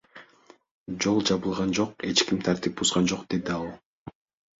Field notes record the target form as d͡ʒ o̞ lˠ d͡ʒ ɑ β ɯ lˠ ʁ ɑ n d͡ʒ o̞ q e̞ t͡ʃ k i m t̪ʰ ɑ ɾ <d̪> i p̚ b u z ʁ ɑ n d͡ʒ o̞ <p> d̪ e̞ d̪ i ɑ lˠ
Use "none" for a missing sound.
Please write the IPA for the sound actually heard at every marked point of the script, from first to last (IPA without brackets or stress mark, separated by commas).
t̪, q